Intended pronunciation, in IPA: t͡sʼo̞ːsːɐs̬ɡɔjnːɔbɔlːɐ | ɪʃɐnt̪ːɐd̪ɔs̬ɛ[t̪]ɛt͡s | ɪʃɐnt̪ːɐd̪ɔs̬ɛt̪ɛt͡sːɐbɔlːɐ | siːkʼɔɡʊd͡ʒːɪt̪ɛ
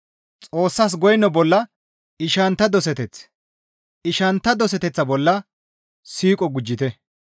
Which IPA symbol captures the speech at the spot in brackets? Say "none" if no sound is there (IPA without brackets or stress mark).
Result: t̪